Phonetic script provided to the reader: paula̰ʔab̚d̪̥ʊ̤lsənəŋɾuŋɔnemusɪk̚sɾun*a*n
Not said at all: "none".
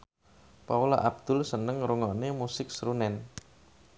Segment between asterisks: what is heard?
ɛ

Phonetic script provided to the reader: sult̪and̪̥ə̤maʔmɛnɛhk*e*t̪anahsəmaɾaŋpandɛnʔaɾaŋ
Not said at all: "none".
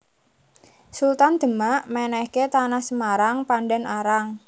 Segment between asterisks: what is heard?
e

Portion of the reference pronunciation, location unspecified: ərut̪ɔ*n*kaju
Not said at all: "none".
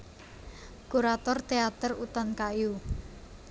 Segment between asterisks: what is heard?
n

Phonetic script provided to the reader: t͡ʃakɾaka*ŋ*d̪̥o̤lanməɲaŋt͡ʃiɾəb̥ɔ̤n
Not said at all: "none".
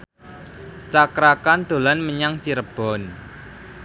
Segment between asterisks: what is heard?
n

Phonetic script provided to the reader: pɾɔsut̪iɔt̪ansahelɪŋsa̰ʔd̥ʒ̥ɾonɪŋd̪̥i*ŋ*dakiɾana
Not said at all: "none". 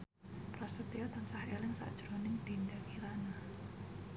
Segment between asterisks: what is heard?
n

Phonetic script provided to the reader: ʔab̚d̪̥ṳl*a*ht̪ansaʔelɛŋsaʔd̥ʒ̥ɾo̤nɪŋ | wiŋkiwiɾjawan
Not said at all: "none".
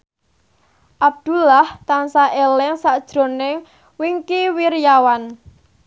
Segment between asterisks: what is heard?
a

